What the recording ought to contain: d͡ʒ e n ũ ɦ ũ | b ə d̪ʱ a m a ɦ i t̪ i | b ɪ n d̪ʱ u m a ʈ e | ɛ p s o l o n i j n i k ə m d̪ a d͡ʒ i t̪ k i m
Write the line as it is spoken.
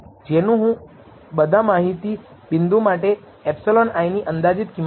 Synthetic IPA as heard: d͡ʒ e n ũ ɦ ũ | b ə d̪ʱ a m a ɦ i t̪ i | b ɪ n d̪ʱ u m a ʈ e | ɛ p s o l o n a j n i ʔ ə n d̪ a d͡ʒ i t̪ k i m